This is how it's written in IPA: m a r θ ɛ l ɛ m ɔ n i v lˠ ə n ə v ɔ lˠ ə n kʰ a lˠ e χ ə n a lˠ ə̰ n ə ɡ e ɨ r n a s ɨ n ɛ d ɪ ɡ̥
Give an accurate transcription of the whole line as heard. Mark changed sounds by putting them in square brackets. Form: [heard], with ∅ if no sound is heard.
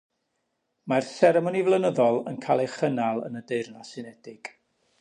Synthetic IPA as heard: m a r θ ɛ [ɾ] ɛ m ɔ n i v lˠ ə n ə [ð] ɔ lˠ ə n kʰ a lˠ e χ ə n a lˠ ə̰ n ə [d] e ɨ r n a s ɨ n ɛ d ɪ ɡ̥